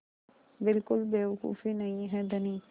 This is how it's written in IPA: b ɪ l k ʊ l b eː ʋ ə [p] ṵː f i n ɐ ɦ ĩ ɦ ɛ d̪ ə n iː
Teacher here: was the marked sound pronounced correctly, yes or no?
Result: no